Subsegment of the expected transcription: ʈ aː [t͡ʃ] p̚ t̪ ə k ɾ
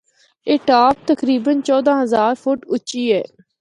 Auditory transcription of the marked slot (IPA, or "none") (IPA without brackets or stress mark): none